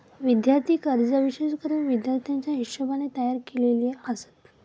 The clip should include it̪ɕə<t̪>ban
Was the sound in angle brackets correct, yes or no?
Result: no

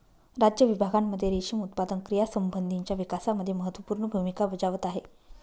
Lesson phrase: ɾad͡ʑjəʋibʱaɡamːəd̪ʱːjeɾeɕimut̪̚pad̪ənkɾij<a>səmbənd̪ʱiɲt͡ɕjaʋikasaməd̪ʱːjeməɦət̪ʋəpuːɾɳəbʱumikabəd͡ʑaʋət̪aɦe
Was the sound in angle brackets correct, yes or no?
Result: yes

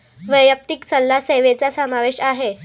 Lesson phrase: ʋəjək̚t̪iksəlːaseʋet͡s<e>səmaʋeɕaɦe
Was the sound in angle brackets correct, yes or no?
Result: no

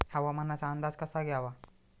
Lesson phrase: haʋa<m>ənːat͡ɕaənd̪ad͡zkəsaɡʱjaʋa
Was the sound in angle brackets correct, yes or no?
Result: yes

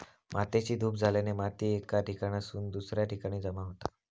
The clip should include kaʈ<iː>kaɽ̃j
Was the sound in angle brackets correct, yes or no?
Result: no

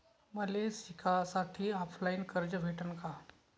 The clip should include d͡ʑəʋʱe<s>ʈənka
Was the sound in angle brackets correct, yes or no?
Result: no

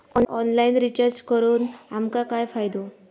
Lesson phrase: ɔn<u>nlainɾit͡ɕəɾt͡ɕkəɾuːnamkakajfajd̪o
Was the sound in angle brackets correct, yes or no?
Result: no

